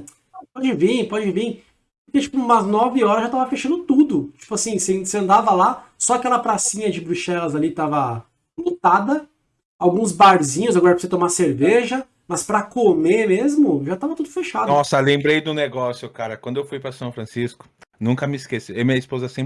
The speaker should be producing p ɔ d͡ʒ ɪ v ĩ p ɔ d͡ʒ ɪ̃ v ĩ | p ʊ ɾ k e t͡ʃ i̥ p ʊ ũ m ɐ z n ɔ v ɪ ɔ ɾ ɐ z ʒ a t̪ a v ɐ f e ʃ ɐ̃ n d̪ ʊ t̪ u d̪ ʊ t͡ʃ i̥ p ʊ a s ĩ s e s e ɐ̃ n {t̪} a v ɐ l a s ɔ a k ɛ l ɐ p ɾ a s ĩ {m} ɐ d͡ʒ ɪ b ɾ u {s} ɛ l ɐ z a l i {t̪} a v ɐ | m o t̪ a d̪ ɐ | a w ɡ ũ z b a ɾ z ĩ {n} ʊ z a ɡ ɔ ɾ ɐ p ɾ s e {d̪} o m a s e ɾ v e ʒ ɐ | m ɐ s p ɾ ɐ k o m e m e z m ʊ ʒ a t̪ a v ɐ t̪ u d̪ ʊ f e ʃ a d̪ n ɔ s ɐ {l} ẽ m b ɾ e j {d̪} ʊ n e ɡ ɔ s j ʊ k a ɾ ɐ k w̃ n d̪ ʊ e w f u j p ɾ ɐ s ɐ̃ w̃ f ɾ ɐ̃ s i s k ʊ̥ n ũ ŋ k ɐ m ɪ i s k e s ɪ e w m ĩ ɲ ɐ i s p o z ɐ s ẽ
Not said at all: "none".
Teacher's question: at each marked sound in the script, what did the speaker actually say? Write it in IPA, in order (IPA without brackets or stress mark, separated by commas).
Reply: d̪, ɲ, ʃ, t̪, ɲ, t̪, l, d̪